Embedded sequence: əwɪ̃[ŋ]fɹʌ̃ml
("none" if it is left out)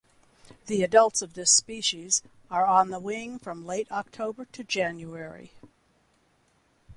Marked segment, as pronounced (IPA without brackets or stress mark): ŋ